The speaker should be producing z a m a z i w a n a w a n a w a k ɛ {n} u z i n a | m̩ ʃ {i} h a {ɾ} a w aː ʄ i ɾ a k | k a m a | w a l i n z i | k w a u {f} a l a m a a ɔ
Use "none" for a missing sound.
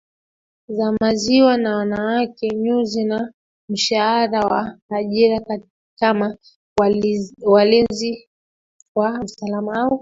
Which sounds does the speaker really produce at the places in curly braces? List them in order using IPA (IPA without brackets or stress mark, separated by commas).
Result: ɲ, a, ɾ, s